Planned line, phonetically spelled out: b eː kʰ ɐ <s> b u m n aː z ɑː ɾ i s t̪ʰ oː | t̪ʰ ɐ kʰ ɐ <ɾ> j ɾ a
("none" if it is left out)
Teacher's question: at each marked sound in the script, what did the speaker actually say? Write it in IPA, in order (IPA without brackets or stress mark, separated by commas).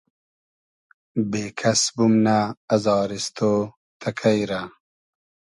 s, none